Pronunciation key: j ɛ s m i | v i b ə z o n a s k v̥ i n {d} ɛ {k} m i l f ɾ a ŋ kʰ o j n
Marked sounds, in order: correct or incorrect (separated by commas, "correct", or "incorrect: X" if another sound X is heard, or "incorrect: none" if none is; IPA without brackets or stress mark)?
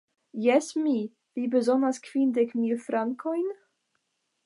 correct, correct